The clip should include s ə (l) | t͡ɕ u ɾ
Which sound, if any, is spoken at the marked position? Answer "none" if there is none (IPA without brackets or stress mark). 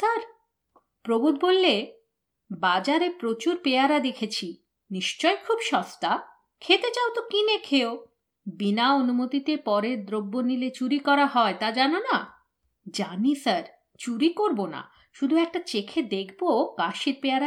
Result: ɾ